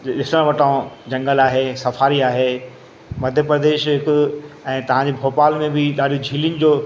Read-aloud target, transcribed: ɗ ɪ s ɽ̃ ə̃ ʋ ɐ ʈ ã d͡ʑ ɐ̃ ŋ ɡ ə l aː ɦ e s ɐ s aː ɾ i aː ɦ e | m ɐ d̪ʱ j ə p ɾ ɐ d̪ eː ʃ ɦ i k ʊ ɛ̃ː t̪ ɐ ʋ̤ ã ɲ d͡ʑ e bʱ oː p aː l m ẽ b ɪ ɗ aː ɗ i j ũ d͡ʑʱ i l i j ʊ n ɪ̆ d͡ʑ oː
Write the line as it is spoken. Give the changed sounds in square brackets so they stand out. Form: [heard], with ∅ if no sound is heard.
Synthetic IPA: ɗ ɪ s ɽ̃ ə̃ ʋ ɐ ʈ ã d͡ʑ ɐ̃ ŋ ɡ ə l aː ɦ e s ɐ [f] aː ɾ i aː ɦ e | m ɐ d̪ʱ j ə p ɾ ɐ d̪ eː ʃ ɦ [ɪ] k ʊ ɛ̃ː t̪ ɐ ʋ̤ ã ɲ d͡ʑ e bʱ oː p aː l m ẽ b ɪ ɗ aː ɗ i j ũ d͡ʑʱ [iː] l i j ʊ n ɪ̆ d͡ʑ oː